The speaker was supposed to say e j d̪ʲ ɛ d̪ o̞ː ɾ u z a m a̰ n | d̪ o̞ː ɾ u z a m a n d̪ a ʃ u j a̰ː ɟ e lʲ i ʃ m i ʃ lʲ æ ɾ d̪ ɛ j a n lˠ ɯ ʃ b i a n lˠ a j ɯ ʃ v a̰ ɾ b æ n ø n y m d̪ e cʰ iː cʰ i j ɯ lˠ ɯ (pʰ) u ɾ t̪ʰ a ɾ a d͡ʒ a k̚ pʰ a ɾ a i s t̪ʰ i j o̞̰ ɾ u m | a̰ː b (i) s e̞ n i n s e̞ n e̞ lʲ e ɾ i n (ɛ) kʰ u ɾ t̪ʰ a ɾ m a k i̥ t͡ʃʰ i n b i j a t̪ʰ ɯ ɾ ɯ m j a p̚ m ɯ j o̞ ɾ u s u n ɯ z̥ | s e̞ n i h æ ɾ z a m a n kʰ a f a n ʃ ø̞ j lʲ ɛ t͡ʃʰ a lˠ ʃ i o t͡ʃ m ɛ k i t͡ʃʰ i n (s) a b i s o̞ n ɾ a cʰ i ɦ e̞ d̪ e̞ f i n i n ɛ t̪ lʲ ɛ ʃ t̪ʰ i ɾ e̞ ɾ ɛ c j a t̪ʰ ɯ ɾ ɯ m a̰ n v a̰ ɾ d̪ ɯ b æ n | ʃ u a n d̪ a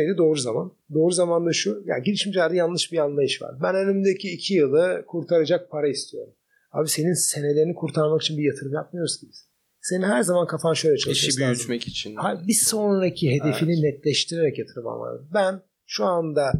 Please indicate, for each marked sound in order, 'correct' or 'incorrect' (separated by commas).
incorrect, correct, incorrect, incorrect